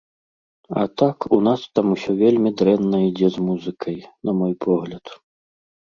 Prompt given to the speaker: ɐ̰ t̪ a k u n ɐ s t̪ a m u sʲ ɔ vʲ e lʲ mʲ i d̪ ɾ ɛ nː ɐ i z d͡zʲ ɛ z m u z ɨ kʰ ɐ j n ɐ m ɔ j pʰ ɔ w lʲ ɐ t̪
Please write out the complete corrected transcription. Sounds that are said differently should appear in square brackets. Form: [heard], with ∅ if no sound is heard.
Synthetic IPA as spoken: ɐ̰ t̪ a k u n [a] s t̪ a m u sʲ ɔ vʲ e lʲ mʲ i d̪ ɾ ɛ nː ɐ i [∅] d͡zʲ ɛ z m u z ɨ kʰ ɐ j n ɐ m ɔ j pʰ ɔ [ɣ] lʲ ɐ t̪